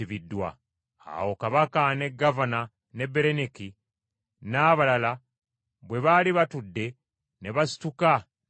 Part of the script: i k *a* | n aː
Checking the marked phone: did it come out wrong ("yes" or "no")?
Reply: yes